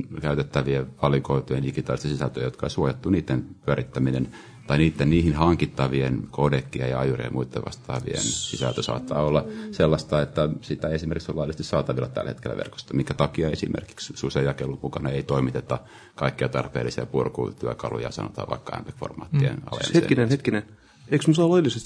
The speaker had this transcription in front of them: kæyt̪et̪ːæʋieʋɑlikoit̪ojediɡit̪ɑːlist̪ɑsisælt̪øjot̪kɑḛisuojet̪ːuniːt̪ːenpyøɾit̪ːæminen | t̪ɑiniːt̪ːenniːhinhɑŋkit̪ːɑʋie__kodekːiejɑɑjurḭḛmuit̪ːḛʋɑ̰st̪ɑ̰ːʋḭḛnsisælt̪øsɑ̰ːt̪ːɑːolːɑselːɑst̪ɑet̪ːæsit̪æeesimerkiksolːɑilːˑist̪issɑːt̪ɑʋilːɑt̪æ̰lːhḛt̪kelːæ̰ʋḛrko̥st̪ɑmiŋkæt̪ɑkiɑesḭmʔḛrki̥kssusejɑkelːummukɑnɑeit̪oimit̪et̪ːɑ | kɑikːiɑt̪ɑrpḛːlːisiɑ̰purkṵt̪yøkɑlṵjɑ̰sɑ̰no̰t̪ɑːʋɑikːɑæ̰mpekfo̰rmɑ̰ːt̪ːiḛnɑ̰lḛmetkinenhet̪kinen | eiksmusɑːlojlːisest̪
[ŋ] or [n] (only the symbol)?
n